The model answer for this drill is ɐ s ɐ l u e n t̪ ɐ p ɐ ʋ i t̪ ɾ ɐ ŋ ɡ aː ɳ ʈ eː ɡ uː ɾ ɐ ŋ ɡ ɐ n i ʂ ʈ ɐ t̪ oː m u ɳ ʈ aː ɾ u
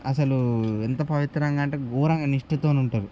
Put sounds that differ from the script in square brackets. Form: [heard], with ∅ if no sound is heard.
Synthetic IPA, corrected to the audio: ɐ s ɐ l u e n t̪ ɐ p ɐ ʋ i t̪ ɾ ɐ ŋ ɡ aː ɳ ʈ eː ɡ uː ɾ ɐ ŋ ɡ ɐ n i ʂ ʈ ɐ t̪ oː [n] u ɳ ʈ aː ɾ u

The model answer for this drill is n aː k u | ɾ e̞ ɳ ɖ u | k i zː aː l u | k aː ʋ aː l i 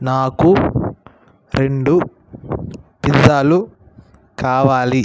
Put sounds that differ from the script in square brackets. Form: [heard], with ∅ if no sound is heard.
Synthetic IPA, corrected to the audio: n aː k u | ɾ e̞ ɳ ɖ u | [p] i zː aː l u | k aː ʋ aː l i

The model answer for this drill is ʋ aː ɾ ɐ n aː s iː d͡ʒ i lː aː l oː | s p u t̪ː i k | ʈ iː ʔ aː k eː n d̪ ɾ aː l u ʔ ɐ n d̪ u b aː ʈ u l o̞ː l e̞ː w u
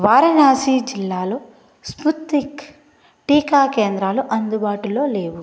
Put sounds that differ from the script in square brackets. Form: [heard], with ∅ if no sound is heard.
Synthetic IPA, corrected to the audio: ʋ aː ɾ ɐ n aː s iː d͡ʒ i lː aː l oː | s p u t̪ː i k | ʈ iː [k] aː k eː n d̪ ɾ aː l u ʔ ɐ n d̪ u b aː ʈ u l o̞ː l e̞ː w u

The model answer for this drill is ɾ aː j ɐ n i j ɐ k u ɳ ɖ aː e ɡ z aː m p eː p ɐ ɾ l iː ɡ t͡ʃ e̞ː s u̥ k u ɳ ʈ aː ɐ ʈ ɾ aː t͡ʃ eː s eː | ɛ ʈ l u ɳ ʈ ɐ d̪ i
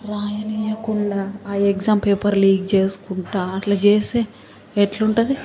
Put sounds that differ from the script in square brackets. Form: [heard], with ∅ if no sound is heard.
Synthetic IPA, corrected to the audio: ɾ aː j ɐ n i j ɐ k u ɳ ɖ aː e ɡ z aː m p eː p ɐ ɾ l iː ɡ t͡ʃ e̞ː s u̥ k u ɳ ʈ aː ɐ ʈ [l] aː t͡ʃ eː s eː | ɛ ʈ l u ɳ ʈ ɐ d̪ i

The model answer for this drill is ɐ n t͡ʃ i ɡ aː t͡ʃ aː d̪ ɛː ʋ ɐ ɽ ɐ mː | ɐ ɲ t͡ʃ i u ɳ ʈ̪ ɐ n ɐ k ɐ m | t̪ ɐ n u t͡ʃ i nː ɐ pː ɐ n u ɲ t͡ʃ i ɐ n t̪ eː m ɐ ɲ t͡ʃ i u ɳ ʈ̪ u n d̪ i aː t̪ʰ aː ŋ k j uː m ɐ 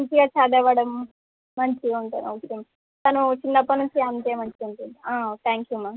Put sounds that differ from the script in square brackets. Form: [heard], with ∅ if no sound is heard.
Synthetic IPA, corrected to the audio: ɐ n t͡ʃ i ɡ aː t͡ʃ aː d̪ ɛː ʋ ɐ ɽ ɐ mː | ɐ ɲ t͡ʃ i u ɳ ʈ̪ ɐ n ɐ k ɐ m | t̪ ɐ n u t͡ʃ i nː ɐ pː ɐ n u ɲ t͡ʃ i ɐ n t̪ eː m ɐ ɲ t͡ʃ i u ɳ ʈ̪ u n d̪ i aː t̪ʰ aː ŋ k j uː m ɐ

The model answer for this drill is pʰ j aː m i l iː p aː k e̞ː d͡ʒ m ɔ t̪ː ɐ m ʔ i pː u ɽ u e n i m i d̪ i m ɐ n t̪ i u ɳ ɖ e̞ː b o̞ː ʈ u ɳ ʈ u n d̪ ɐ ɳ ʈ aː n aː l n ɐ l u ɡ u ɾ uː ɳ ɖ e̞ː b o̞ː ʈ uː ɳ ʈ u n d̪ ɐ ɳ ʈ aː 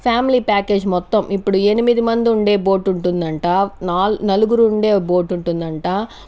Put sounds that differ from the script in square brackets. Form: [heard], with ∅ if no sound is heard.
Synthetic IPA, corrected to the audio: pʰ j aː m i l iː p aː k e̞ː d͡ʒ m ɔ t̪ː ɐ m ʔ i pː u ɽ u e n i m i d̪ i m ɐ n [d̪] i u ɳ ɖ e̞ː b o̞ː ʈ u ɳ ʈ u n d̪ ɐ ɳ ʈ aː n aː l n ɐ l u ɡ u ɾ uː ɳ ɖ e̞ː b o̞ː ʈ [u] ɳ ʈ u n d̪ ɐ ɳ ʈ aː

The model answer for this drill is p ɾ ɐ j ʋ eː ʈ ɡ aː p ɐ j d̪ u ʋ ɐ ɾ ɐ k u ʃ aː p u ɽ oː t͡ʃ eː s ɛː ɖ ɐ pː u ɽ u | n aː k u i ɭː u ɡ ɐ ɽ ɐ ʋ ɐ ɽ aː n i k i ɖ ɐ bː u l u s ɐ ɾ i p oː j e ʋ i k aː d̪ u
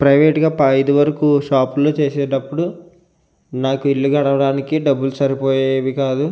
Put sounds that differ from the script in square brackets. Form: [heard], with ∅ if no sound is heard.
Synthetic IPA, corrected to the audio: p ɾ ɐ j ʋ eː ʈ ɡ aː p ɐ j d̪ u ʋ ɐ ɾ ɐ k u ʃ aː p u [l] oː t͡ʃ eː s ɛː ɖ ɐ pː u ɽ u | n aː k u i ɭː u ɡ ɐ ɽ ɐ ʋ ɐ ɽ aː n i k i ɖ ɐ bː u l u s ɐ ɾ i p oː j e ʋ i k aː d̪ u

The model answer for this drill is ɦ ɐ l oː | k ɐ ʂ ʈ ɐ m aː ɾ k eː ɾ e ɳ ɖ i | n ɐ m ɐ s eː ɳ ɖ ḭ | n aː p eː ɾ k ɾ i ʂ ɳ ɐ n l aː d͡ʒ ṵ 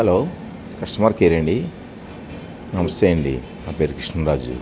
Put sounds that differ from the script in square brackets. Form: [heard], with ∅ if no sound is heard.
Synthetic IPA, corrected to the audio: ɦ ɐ l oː | k ɐ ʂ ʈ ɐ m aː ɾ k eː ɾ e ɳ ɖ i | n ɐ m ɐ s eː ɳ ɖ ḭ | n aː p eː ɾ k ɾ i ʂ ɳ ɐ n [ɾ] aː d͡ʒ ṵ

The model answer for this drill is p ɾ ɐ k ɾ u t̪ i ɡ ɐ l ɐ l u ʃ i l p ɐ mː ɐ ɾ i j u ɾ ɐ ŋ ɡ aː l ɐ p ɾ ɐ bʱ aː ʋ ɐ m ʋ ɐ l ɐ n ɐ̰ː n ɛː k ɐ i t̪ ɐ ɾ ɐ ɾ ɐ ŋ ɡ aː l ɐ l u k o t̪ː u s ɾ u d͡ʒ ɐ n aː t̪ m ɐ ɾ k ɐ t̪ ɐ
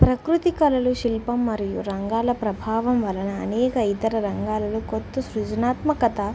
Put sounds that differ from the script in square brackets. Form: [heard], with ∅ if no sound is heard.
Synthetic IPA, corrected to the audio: p ɾ ɐ k ɾ u t̪ i [k] ɐ l ɐ l u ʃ i l p ɐ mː ɐ ɾ i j u ɾ ɐ ŋ ɡ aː l ɐ p ɾ ɐ bʱ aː ʋ ɐ m ʋ ɐ l ɐ n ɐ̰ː n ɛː k ɐ i t̪ ɐ ɾ ɐ ɾ ɐ ŋ ɡ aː l ɐ l u k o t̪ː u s ɾ u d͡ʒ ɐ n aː t̪ m ɐ [∅] k ɐ t̪ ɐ

